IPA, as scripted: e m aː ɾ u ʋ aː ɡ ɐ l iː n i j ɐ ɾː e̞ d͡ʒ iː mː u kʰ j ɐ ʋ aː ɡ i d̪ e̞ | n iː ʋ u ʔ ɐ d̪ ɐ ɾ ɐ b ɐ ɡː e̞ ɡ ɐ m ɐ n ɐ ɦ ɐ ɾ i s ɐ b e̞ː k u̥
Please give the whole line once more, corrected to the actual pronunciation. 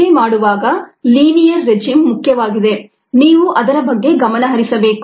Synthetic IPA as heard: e m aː ɽ u ʋ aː ɡ ɐ l iː n i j ɐ ɾː e̞ d͡ʒ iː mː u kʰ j ɐ ʋ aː ɡ i d̪ e̞ | n iː ʋ u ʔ ɐ d̪ ɐ ɾ ɐ b ɐ ɡː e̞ ɡ ɐ m ɐ n ɐ ɦ ɐ ɾ i s ɐ b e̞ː k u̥